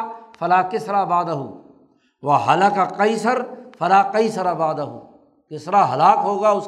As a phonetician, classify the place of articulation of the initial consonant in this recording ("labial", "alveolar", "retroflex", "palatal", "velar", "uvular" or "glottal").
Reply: labial